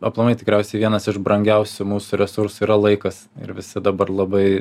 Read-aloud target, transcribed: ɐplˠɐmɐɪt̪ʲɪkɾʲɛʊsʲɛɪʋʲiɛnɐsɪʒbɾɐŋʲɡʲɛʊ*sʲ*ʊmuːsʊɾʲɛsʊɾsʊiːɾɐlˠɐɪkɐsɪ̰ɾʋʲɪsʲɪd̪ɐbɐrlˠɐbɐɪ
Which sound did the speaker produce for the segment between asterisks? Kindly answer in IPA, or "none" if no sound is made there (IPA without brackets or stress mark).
sʲ